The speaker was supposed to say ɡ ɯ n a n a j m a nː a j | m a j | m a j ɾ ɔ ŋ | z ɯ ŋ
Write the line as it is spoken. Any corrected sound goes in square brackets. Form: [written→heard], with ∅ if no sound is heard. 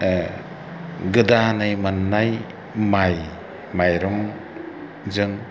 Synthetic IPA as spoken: ɡ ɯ [n→d] a n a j m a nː a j | m a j | m a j ɾ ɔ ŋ | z ɯ ŋ